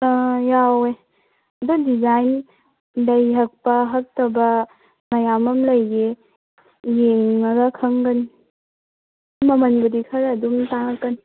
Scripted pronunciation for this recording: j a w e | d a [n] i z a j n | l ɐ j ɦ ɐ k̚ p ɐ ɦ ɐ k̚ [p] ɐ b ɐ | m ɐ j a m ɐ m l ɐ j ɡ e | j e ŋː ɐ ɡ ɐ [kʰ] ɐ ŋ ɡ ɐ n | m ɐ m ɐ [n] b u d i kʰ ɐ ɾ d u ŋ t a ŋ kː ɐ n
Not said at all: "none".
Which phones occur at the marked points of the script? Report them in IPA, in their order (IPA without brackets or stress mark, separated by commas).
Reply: d, t, kʰ, n